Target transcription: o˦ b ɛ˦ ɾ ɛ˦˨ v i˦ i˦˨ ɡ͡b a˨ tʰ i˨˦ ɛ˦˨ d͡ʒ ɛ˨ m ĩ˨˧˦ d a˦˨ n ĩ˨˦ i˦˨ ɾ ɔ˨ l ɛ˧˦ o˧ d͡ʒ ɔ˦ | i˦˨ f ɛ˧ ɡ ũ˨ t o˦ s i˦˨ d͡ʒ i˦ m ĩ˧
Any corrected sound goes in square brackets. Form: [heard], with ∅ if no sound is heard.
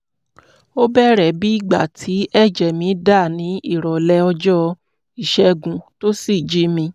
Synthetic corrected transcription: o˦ b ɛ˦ ɾ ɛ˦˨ [b] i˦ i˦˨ ɡ͡b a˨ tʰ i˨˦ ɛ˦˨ d͡ʒ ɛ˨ m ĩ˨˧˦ d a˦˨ n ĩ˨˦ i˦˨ ɾ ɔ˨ l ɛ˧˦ [ɔ˧] d͡ʒ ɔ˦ | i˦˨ [ʃ] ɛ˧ ɡ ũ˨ t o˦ s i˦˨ d͡ʒ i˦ m ĩ˧